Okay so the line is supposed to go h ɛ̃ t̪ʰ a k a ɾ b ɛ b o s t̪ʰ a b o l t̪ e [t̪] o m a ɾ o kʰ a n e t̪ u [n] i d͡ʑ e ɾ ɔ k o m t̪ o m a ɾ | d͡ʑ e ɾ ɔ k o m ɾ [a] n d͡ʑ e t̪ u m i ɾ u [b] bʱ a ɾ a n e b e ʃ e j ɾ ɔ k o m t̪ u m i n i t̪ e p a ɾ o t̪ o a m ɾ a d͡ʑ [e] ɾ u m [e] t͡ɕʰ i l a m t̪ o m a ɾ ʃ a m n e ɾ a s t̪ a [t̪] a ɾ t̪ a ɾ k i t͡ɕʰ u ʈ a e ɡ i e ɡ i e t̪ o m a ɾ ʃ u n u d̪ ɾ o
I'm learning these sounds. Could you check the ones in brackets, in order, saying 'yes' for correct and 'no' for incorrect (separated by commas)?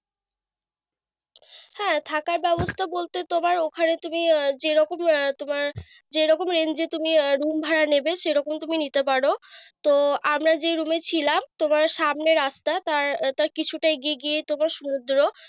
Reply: yes, no, no, no, yes, yes, yes